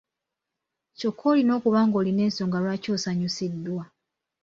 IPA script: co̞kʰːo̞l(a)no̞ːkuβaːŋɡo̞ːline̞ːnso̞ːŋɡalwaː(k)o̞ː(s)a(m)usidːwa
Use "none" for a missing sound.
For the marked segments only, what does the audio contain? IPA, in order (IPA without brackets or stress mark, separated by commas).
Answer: i, c, s, ɲ